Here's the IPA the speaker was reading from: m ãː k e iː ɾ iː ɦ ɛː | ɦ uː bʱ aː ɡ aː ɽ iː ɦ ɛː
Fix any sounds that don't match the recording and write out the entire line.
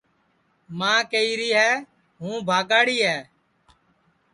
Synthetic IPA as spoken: m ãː k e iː ɾ iː ɦ ɛː | ɦ ũː bʱ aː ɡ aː ɽ iː ɦ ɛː

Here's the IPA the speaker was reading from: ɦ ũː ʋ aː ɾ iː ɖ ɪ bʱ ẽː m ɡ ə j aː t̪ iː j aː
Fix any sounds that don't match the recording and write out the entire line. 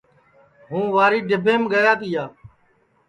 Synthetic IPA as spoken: ɦ ũː ʋ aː ɾ iː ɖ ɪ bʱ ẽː m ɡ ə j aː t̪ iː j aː

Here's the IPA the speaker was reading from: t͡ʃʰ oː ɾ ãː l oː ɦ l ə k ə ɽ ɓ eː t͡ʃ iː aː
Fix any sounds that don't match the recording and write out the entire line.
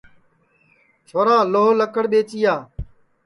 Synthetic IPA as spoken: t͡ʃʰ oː ɾ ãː l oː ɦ l ə k ə ɽ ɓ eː t͡ʃ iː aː

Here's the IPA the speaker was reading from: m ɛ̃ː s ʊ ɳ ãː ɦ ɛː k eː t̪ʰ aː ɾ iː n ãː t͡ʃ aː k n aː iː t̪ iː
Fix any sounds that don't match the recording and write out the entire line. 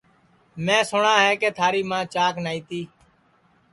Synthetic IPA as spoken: m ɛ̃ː s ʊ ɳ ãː ɦ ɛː k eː t̪ʰ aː ɾ iː m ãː t͡ʃ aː k n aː iː t̪ iː

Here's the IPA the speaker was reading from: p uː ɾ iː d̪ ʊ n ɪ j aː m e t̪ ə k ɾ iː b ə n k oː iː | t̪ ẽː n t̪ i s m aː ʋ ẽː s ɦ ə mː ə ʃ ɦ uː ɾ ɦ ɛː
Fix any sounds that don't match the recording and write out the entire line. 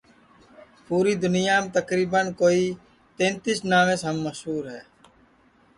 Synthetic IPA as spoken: p uː ɾ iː d̪ ʊ n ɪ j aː m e t̪ ə k ɾ iː b ə n k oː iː | t̪ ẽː n t̪ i s n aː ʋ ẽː s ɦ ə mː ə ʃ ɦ uː ɾ ɦ ɛː

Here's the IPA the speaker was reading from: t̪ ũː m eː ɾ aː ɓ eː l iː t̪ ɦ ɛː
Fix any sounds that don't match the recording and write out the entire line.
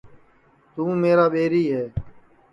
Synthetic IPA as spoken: t̪ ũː m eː ɾ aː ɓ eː ɾ iː ɦ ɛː

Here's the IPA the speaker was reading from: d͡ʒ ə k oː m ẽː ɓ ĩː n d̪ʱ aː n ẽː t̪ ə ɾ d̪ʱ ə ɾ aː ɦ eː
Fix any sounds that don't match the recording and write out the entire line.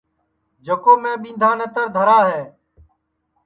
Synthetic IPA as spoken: d͡ʒ ə k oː m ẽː ɓ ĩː n d̪ʱ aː n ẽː t̪ ə ɾ d̪ʱ ə ɾ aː ɦ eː

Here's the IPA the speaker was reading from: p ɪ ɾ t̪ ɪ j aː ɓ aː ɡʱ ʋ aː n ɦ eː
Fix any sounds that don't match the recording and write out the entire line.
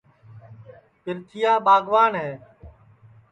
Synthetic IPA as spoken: p ɪ ɾ t̪ʰ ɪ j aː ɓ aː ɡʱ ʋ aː n ɦ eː

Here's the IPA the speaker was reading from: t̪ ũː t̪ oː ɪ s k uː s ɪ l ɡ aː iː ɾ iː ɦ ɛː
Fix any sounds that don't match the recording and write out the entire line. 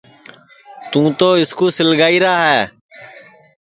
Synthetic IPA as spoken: t̪ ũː t̪ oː ɪ s k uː s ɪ l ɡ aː iː ɾ aː ɦ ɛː

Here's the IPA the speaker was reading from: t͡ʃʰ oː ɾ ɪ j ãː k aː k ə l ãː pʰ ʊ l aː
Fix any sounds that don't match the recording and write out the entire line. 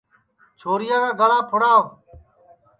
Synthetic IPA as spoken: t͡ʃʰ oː ɾ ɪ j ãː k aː ɡ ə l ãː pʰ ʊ ɽ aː

